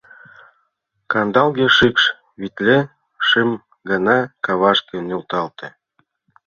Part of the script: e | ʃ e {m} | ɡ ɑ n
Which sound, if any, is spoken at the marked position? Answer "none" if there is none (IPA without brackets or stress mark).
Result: m